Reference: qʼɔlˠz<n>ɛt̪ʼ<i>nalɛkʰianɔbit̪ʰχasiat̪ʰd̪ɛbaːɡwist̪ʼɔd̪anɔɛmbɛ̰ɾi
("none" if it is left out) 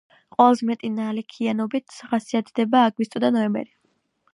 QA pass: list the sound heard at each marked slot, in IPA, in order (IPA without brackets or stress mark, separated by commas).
m, i